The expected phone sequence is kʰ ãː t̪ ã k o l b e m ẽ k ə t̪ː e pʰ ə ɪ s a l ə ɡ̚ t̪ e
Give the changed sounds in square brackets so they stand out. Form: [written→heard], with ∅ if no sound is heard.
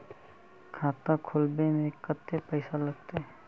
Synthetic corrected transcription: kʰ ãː t̪ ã [k→kʰ] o l b e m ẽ k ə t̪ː e [pʰ→p] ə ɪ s a l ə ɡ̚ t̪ e

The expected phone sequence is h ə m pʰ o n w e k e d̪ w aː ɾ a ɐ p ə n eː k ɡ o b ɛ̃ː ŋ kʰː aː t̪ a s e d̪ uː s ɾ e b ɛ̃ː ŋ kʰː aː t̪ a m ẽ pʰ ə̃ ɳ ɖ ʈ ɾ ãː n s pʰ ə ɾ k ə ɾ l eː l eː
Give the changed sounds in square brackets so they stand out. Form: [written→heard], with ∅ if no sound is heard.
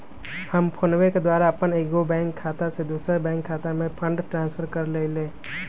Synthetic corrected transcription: h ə m pʰ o n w e k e d̪ w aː ɾ a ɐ p ə n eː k ɡ o b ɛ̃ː ŋ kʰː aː t̪ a s e d̪ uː s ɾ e b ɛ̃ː ŋ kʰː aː t̪ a m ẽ pʰ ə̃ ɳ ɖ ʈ ɾ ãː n s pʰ ə ɾ k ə ɾ l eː l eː

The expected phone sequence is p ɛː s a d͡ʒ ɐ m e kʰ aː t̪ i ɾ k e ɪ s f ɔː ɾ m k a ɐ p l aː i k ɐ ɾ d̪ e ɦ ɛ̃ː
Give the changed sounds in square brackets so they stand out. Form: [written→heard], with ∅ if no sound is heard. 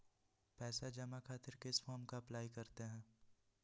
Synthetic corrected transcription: p ɛː s a d͡ʒ ɐ m [e→a] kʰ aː t̪ [i→ɪ] ɾ k e ɪ s f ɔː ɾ m k a ɐ p l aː i k ɐ ɾ [d̪→t̪] e ɦ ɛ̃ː

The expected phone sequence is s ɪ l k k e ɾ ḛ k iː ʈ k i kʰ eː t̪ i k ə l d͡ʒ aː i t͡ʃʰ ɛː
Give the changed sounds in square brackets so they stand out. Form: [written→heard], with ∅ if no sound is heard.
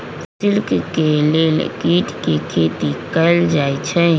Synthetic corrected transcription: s ɪ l k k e [ɾ→l] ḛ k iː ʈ k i kʰ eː t̪ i k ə l d͡ʒ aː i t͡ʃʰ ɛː

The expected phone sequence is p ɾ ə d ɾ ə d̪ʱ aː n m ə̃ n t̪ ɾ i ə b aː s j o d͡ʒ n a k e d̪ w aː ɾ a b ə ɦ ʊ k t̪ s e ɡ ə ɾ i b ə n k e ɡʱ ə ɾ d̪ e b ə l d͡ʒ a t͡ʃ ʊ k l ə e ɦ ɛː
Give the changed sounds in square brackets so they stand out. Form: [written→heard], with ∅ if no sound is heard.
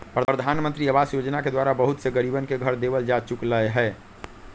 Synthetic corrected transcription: p ɾ ə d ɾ ə d̪ʱ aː n m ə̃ n t̪ ɾ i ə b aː s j o d͡ʒ n a k e d̪ w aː ɾ a b ə ɦ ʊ [k→∅] t̪ s e ɡ ə ɾ i b ə n k e ɡʱ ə ɾ d̪ e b ə l d͡ʒ a t͡ʃ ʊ k l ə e ɦ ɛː

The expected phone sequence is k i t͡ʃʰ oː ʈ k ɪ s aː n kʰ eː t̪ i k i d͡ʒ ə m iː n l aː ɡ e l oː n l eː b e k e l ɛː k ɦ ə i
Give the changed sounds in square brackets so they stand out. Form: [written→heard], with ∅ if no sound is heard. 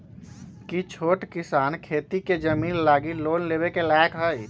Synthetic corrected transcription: k i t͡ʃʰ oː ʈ k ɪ s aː n kʰ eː t̪ i k [i→e] d͡ʒ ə m iː n l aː ɡ [e→i] l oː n l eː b e k e l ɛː k ɦ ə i

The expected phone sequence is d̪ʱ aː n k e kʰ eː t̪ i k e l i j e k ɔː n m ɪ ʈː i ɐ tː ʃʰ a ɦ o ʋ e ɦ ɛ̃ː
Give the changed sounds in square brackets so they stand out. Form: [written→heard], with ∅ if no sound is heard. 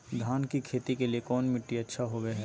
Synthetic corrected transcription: d̪ʱ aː n k [e→i] kʰ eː t̪ i k e l i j e k ɔː n m ɪ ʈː i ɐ tː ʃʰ a ɦ o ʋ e ɦ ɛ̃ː

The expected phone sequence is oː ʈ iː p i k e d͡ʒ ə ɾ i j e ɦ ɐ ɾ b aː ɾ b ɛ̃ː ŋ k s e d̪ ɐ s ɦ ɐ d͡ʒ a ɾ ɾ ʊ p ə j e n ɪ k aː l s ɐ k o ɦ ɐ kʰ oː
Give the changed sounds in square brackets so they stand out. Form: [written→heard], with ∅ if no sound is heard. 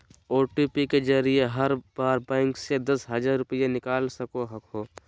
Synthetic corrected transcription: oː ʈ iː p i k e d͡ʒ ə ɾ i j e ɦ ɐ ɾ b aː ɾ b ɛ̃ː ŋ k s e d̪ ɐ s ɦ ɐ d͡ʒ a ɾ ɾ ʊ p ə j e n ɪ k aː l s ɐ k o ɦ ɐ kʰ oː

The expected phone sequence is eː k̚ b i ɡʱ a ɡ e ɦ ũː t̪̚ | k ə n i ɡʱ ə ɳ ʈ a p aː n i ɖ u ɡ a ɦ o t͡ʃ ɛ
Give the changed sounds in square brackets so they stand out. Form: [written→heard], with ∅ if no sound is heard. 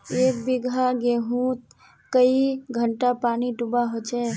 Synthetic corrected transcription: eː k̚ b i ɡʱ a ɡ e ɦ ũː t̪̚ | k ə [n→∅] i ɡʱ ə ɳ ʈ a p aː n i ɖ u [ɡ→b] a ɦ o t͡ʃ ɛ

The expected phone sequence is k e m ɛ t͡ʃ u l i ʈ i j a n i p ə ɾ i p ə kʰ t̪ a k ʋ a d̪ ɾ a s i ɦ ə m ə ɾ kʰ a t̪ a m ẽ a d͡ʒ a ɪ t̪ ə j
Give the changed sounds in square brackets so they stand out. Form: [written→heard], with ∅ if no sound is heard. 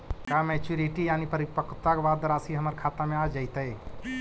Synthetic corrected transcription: k [e→a] m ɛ t͡ʃ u [l→ɾ] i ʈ i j a n i p ə ɾ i p ə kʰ t̪ a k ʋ a d̪ ɾ a s i ɦ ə m ə ɾ kʰ a t̪ a m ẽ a d͡ʒ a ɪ t̪ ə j

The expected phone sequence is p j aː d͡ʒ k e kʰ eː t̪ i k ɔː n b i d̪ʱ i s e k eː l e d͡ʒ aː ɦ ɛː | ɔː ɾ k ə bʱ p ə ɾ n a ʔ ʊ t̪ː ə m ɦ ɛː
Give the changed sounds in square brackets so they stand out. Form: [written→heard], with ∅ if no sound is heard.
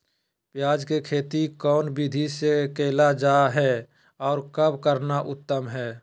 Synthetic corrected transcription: p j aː d͡ʒ k e kʰ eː t̪ i k ɔː n b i d̪ʱ i s e k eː l [e→a] d͡ʒ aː ɦ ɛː | ɔː ɾ k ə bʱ [p→k] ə ɾ n a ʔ ʊ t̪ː ə m ɦ ɛː

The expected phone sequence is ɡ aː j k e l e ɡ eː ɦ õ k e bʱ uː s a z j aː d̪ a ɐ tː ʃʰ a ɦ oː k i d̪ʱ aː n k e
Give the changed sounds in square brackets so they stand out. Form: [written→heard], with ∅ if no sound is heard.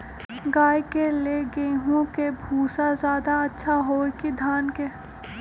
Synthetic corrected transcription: ɡ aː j k e l e ɡ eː ɦ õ k e bʱ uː s a z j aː d̪ a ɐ tː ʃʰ a ɦ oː k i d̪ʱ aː n k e

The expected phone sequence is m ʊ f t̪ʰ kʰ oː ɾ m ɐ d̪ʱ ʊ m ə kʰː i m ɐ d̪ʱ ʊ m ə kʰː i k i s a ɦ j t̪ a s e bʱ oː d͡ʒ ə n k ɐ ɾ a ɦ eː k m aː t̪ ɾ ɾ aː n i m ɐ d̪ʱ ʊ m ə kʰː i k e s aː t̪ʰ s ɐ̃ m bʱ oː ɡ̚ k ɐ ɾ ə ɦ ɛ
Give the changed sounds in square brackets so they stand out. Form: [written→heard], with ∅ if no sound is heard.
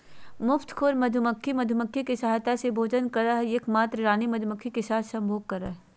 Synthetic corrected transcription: m ʊ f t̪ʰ kʰ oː ɾ m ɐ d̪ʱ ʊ m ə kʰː i m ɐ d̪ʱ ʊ m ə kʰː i k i s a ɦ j t̪ a s e bʱ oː d͡ʒ ə n k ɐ ɾ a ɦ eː k m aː t̪ ɾ ɾ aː n i m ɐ d̪ʱ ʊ m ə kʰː i k e s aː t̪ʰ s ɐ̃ m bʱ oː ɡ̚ k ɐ ɾ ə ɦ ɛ

